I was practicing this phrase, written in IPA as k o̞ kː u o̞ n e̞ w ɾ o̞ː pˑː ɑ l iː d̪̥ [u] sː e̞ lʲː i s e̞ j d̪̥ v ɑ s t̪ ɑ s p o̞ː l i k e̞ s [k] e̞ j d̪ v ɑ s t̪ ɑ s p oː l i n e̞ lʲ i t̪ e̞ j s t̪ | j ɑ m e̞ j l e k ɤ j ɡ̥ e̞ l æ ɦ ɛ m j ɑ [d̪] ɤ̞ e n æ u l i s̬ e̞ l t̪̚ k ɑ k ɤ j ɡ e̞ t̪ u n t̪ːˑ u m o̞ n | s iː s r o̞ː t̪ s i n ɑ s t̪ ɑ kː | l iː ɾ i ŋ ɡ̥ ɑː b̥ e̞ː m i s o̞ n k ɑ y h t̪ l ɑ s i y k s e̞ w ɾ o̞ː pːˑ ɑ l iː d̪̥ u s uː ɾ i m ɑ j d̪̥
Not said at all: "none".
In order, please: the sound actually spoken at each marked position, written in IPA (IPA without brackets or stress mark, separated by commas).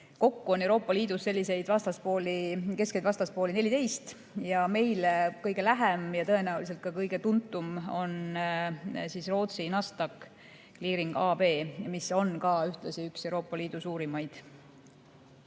u, k, t̪